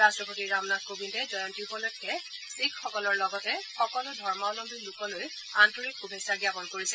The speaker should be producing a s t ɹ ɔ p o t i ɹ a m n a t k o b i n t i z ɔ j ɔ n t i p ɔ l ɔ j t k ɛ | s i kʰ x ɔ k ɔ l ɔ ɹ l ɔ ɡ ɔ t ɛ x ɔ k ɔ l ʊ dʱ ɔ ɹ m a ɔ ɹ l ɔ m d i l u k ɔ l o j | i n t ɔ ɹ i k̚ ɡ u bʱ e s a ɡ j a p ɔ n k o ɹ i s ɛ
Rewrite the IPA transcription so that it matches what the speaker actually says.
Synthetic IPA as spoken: a s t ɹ ɔ p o t i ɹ a m n a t k o b i n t ɛ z ɔ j ɔ n t i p ɔ l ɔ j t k ɛ | s i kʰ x ɔ k ɔ l ɔ ɹ l ɔ ɡ ɔ t ɛ x ɔ k ɔ l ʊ dʱ ɔ ɹ m a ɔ l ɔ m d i l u k ɔ l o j | a n t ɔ ɹ i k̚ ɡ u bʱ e s a ɡ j a p ɔ n k o ɹ i s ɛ